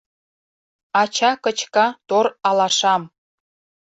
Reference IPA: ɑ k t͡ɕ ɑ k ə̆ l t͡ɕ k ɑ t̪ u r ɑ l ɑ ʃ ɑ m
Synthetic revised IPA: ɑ t͡ɕ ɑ k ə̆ t͡ɕ k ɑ t̪ o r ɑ l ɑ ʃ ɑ m